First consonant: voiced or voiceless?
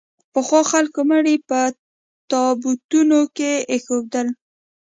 voiceless